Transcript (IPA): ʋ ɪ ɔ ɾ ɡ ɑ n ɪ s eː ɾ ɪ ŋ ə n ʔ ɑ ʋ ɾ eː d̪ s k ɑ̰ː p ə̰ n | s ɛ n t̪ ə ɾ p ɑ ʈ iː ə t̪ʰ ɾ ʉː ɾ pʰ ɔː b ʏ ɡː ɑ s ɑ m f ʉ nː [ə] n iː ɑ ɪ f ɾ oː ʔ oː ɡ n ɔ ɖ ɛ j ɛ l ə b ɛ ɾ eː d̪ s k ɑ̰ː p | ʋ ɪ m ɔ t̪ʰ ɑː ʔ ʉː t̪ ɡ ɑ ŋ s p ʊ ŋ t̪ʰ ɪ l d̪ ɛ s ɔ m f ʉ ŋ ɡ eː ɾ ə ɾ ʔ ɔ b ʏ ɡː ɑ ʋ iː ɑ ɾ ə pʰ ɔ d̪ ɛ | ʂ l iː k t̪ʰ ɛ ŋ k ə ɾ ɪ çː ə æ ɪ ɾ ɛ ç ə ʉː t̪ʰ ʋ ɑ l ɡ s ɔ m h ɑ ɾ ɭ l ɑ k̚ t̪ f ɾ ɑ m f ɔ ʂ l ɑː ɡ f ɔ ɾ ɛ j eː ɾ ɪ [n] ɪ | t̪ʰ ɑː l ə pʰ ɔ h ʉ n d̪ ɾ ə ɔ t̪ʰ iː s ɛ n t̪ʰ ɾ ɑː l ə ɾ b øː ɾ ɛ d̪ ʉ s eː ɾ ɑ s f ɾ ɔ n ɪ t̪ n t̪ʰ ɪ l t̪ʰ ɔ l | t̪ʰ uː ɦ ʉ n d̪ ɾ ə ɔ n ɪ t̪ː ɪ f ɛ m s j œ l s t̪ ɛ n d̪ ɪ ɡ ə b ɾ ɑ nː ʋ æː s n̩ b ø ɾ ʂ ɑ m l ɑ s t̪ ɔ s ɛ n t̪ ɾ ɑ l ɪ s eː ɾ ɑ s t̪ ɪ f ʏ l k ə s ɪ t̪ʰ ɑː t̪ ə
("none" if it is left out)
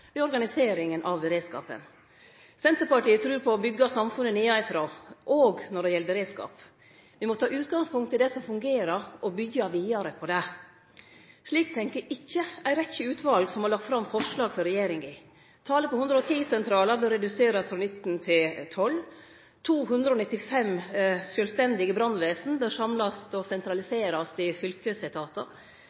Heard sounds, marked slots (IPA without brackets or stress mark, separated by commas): ə, ŋ